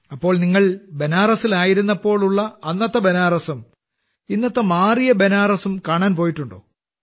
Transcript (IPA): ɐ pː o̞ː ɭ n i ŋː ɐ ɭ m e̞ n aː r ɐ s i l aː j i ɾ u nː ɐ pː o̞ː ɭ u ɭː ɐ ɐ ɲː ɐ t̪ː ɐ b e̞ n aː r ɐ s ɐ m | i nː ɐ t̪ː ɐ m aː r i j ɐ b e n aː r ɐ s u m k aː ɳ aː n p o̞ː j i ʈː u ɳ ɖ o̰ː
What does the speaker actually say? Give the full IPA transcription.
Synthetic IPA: ɐ pː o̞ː ɭ n i ŋː ɐ ɭ b e̞ n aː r ɐ s i l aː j i ɾ u nː ɐ pː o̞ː ɭ u ɭː ɐ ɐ nː ɐ t̪ː ɐ b e̞ n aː r ɐ s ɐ m | i nː ɐ t̪ː ɐ m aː r i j ɐ b e n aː r ɐ s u m k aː ɳ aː n p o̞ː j i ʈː u ɳ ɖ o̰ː

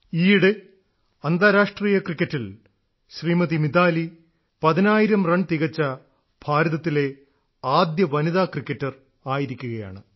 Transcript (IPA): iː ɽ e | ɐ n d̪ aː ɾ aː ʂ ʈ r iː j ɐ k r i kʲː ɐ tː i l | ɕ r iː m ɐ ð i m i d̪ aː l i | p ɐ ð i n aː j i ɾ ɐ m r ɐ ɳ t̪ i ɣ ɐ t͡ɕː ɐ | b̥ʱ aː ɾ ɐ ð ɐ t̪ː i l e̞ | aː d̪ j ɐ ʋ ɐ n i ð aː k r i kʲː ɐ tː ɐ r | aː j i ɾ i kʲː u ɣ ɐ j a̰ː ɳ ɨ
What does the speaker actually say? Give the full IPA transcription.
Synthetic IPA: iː ɽ e | ɐ n d̪ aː ɾ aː ʂ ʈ r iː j ɐ k r i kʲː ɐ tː i l | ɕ r iː m ɐ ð i m i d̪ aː l i | p ɐ ð i n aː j i ɾ ɐ m r ɐ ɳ t̪ i ɣ ɐ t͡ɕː ɐ | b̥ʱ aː ɾ ɐ ð ɐ t̪ː i l e̞ | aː d̪ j ɐ ʋ ɐ n i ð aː k r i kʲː ɐ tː ɐ r | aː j i ɾ i kʲː u ɣ ɐ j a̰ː ɳ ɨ

